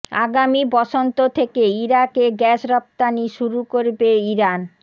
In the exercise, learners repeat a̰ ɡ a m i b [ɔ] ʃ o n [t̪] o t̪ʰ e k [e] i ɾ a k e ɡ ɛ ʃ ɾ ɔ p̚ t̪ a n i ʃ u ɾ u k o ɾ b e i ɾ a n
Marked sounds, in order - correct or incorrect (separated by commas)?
correct, correct, correct